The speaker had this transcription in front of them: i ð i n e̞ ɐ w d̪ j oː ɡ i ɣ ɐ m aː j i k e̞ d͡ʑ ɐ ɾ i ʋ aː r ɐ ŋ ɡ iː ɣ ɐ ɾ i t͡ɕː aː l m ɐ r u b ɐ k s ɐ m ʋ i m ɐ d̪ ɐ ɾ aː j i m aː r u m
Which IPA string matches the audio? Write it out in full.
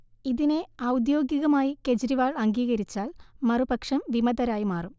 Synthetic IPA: i ð i n e̞ ɐ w d̪ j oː ɡ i ɣ ɐ m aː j i k e̞ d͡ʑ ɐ ɾ i ʋ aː ɭ ɐ ŋ ɡ iː ɣ ɐ ɾ i t͡ɕː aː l m ɐ r u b ɐ k ʂ ɐ m ʋ i m ɐ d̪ ɐ ɾ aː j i m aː r u m